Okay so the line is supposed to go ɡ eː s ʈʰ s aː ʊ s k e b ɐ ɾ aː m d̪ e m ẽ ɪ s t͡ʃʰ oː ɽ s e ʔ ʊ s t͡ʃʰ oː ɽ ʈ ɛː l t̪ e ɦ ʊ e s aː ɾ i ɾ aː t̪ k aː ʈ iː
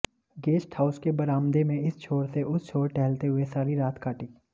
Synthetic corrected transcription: ɡ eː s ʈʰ h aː ʊ s k e b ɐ ɾ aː m d̪ e m ẽ ɪ s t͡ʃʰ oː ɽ s e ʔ ʊ s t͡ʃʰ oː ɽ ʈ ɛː l t̪ e ɦ ʊ e s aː ɾ i ɾ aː t̪ k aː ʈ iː